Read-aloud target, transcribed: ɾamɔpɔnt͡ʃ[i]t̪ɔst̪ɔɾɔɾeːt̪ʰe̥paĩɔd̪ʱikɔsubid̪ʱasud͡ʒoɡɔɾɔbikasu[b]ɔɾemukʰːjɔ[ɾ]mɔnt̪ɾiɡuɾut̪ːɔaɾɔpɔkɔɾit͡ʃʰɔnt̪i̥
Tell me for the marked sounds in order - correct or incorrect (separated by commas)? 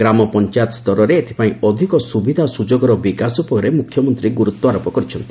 incorrect, incorrect, incorrect